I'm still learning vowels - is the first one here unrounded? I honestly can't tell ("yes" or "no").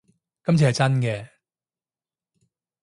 yes